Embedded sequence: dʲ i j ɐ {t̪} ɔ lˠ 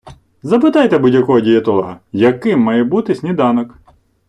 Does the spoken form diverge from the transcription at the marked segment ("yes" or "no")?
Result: no